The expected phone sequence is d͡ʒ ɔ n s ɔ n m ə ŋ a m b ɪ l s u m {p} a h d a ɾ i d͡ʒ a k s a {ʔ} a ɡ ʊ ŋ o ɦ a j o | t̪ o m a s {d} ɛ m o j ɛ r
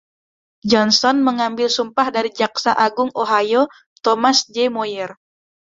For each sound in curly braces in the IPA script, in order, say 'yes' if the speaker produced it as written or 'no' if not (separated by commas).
yes, yes, no